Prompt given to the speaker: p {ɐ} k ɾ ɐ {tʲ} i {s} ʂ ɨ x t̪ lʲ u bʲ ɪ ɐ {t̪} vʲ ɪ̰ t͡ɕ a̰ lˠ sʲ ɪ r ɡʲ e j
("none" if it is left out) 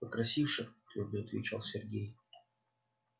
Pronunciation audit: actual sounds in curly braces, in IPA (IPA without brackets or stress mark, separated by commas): ə, sʲ, f, t̪